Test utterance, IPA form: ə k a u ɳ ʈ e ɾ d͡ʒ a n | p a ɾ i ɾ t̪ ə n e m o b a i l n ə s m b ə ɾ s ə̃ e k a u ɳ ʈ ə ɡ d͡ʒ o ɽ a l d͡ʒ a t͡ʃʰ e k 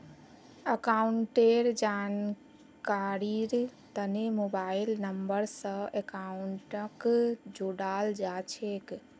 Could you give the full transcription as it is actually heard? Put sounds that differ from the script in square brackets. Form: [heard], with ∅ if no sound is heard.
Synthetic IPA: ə k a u ɳ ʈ e ɾ d͡ʒ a n | [k] a ɾ i ɾ t̪ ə n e m o b a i l n ə [∅] m b ə ɾ s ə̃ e k a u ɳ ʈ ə [k] d͡ʒ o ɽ a l d͡ʒ a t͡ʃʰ e k